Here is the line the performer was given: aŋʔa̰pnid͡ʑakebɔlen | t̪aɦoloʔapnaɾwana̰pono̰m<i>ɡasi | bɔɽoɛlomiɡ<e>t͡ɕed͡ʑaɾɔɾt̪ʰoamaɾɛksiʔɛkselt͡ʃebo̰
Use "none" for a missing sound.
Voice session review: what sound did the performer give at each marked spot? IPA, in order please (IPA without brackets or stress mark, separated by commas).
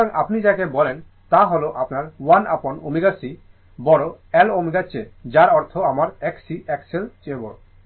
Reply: i, a